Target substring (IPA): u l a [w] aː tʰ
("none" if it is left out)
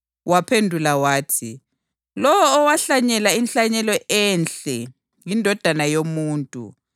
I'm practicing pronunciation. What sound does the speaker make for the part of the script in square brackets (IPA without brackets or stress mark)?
w